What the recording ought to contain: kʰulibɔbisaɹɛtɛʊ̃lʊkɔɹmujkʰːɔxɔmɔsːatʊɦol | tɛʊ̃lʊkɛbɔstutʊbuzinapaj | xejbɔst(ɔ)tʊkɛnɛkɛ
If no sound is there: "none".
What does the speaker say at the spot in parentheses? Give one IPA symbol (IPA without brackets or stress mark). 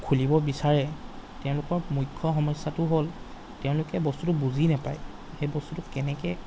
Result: u